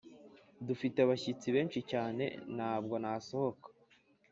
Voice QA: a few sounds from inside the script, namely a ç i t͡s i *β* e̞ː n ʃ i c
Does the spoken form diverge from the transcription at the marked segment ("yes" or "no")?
no